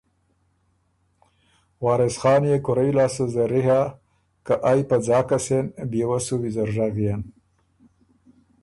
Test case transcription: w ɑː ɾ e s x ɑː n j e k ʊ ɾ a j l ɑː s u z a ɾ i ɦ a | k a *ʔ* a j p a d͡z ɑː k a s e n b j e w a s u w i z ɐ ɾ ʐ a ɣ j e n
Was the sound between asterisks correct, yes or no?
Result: yes